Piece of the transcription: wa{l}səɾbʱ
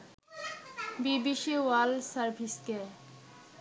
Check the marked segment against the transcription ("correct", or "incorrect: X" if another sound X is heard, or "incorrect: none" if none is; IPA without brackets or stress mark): correct